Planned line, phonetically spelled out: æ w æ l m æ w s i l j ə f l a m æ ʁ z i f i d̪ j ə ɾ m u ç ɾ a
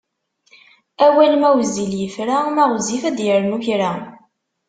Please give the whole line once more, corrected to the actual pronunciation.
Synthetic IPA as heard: æ w æ l m æ w z i l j ə f ɾ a m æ ʁ z i f æ d̪ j ə ɾ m u ç ɾ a

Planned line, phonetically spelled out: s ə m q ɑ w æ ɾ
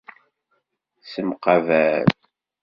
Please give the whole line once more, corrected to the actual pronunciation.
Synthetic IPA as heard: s ə m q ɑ v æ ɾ

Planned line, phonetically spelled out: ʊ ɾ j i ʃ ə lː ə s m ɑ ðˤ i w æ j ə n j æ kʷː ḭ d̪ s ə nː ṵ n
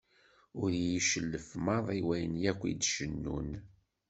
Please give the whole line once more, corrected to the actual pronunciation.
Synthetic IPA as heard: ʊ ɾ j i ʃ ə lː ə f m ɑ ðˤ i w æ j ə n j æ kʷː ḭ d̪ ʃ ə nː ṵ n

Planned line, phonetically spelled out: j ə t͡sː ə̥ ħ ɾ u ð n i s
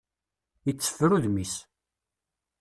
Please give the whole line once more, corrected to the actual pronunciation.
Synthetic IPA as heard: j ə t͡sː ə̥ f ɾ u ð m i s

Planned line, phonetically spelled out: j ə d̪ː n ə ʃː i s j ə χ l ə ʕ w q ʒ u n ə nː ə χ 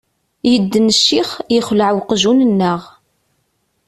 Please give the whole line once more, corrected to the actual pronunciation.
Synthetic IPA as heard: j ə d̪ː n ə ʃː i χ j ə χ l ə ʕ w q ʒ u n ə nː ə ʁ

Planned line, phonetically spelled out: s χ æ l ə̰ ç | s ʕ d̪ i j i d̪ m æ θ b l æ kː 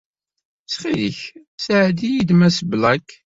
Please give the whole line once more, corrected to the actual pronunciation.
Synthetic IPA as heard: s χ i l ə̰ ç | s ʕ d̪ i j i d̪ m æ s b l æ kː

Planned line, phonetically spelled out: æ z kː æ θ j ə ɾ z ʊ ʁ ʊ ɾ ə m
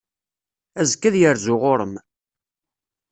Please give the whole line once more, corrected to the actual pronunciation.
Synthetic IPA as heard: æ z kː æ ð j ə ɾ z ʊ ʁ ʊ ɾ ə m

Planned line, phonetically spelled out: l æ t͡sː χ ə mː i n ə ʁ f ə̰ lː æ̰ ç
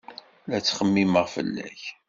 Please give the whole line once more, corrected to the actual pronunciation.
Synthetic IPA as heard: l æ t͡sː χ ə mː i m ə ʁ f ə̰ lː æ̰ ç

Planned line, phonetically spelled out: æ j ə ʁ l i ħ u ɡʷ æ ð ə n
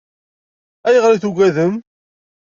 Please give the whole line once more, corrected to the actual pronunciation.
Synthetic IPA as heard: æ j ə ʁ ɾ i θ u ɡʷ æ ð ə m

